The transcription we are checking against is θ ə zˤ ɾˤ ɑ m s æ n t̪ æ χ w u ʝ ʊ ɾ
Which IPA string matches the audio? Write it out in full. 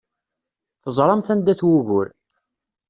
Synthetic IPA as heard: θ ə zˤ ɾˤ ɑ m θ æ n d̪ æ θ w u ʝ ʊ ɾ